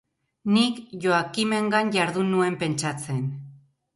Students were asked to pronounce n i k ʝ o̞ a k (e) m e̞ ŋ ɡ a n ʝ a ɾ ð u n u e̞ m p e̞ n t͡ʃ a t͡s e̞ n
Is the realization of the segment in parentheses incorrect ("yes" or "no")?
yes